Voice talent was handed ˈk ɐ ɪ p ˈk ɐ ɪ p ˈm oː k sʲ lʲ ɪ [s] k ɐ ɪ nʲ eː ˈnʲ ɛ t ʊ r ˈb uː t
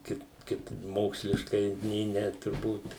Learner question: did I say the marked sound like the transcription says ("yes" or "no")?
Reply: no